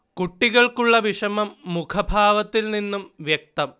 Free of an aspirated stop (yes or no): no